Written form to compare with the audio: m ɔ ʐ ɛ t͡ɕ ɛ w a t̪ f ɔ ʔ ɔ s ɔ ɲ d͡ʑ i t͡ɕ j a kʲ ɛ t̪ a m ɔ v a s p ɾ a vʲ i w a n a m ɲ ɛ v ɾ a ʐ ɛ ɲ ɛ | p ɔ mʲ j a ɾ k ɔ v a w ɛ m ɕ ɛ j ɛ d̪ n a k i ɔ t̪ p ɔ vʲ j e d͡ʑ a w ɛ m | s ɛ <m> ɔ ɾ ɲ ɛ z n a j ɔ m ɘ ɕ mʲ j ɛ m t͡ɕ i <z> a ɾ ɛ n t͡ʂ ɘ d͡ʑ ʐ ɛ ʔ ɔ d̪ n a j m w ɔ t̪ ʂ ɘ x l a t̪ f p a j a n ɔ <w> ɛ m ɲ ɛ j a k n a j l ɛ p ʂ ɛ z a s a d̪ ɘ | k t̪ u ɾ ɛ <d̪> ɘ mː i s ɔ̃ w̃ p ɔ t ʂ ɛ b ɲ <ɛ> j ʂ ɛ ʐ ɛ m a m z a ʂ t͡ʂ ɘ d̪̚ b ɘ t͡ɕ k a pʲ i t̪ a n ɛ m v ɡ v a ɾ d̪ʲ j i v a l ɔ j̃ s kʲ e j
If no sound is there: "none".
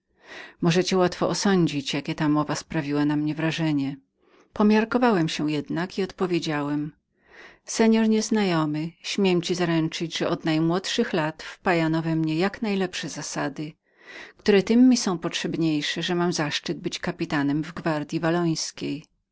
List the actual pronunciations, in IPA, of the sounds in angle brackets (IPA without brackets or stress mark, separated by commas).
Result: ɲ, z, v, t̪, e